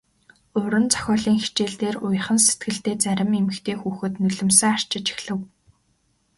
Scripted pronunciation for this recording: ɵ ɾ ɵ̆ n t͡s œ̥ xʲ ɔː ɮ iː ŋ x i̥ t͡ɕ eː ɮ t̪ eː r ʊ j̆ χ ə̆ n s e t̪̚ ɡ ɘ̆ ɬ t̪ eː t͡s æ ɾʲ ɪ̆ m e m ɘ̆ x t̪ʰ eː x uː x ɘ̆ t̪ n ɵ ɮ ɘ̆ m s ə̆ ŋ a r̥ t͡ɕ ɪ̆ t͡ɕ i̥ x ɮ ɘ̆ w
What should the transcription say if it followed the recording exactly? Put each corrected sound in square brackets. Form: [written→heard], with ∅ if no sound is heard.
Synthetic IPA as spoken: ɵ ɾ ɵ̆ n t͡s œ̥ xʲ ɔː ɮ iː ŋ x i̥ t͡ɕ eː ɮ t̪ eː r ʊ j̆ χ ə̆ n s e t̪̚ ɡ ɘ̆ ɬ t̪ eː t͡s æ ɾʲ ɪ̆ m e m ɘ̆ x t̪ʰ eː x uː x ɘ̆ t̪ n ɵ ɮ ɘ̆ m s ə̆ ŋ a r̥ t͡ɕ ɪ̆ t͡ɕ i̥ x ɮ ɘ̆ w